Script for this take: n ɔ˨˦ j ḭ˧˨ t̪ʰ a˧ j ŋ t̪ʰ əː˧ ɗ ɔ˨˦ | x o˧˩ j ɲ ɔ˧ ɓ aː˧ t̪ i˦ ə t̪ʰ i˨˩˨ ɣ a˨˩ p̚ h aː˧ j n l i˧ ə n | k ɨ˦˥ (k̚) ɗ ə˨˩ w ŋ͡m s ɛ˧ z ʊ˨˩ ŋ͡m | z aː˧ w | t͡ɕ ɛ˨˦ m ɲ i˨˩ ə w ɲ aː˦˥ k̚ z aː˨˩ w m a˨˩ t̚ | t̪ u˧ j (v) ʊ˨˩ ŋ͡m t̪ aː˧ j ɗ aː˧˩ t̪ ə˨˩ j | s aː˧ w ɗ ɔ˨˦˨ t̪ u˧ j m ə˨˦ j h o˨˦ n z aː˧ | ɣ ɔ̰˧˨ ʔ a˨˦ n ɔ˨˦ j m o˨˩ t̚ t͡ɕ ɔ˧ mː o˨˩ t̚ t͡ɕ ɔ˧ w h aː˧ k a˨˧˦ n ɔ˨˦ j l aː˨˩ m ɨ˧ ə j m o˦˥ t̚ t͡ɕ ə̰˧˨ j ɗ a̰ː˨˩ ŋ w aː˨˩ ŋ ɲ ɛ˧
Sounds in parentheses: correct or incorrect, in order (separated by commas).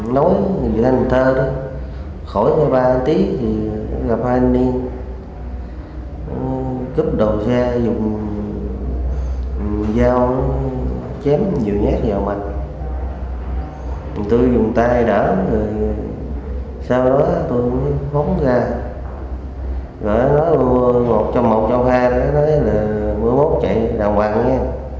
incorrect, incorrect